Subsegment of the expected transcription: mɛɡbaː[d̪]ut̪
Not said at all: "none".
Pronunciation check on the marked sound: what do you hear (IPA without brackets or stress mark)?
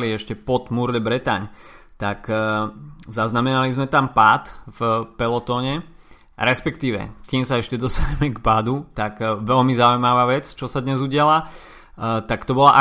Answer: d̪